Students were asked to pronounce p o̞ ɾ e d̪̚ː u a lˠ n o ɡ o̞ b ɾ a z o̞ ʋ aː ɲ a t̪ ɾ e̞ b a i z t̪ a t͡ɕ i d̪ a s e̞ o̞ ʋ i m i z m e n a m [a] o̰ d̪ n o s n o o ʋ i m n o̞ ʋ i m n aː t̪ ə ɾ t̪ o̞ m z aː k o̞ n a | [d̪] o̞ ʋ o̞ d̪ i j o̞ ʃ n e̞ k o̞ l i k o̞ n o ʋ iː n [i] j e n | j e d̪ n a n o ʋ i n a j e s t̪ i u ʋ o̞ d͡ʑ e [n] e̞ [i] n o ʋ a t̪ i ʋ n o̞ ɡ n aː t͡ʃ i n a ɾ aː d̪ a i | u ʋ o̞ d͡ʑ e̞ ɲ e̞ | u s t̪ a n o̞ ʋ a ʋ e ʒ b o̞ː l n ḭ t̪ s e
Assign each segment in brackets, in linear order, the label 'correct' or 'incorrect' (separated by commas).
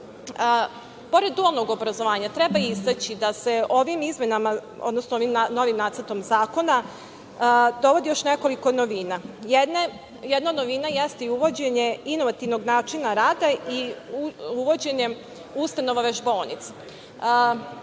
correct, correct, incorrect, incorrect, correct